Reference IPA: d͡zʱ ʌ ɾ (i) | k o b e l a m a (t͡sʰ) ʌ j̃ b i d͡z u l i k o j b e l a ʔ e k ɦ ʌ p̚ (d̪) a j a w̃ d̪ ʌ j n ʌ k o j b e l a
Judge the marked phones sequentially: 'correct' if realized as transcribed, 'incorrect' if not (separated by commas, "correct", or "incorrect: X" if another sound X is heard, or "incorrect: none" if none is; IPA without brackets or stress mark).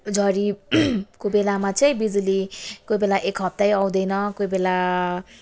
correct, incorrect: t͡s, incorrect: t̪